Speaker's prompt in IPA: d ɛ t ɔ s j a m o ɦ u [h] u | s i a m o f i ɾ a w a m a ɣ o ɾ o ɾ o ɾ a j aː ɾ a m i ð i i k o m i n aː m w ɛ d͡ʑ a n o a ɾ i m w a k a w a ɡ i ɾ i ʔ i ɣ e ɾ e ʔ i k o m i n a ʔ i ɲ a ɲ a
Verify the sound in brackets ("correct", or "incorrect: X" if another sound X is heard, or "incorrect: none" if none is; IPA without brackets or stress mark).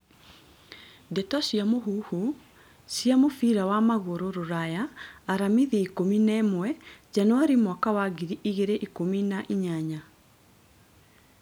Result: correct